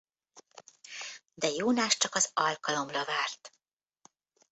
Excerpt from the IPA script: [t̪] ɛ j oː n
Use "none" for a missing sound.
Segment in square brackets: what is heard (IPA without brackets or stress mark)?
d̪